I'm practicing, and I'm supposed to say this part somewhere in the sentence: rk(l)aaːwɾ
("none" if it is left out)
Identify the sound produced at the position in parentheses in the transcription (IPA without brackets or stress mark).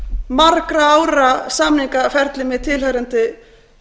ɾ